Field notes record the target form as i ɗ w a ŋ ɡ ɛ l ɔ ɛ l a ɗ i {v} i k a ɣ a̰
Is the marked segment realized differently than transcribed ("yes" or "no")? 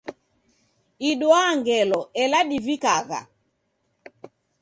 no